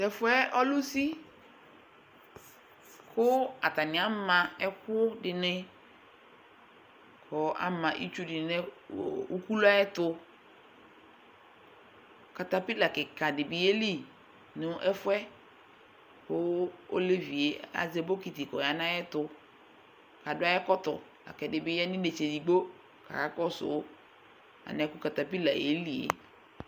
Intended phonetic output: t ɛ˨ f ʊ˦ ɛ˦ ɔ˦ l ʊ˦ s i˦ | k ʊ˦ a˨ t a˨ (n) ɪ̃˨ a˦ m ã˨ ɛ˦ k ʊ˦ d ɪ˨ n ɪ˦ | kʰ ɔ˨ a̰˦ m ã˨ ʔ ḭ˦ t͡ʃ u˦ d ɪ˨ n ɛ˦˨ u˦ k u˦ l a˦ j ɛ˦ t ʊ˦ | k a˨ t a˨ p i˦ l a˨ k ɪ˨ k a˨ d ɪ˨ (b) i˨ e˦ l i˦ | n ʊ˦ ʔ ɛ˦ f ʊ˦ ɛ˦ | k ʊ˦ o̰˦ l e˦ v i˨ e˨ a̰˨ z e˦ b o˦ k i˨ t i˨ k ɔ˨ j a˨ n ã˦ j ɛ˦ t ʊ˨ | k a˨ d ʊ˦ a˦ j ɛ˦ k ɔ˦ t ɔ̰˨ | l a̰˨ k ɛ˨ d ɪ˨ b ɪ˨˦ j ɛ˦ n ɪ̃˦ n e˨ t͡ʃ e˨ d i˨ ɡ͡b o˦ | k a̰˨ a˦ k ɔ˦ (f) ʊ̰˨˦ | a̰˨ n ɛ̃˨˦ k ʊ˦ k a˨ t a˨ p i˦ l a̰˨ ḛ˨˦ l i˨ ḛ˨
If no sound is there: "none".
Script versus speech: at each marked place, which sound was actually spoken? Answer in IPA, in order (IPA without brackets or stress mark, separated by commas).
n, b, s